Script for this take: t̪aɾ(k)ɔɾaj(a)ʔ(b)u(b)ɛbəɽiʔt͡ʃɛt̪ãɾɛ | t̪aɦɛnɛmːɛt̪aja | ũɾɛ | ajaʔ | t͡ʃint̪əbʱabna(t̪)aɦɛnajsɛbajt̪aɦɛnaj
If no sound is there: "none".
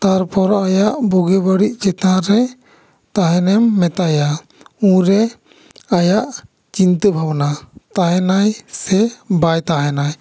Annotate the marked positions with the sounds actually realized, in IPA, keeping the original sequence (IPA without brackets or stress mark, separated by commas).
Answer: p, a, b, ɡ, t̪